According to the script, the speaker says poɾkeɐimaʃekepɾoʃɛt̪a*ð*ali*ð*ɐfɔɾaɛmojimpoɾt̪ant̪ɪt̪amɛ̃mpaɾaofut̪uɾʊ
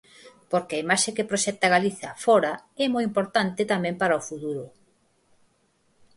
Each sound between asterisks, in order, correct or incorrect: incorrect: ɣ, incorrect: θ

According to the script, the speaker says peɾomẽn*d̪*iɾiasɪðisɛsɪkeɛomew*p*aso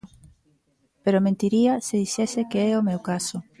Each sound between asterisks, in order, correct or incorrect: incorrect: t̪, incorrect: k

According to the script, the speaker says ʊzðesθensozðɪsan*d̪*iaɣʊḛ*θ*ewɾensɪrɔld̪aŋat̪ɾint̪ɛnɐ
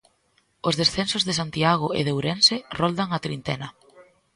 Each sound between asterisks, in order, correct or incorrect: incorrect: t̪, incorrect: ð

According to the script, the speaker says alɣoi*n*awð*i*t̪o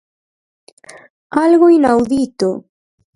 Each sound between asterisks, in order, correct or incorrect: correct, correct

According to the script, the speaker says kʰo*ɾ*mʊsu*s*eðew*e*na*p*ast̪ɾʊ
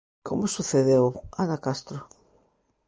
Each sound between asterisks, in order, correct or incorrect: incorrect: none, incorrect: θ, incorrect: a, incorrect: k

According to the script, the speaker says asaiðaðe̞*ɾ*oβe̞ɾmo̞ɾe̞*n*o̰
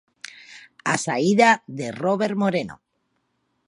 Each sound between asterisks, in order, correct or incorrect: incorrect: r, correct

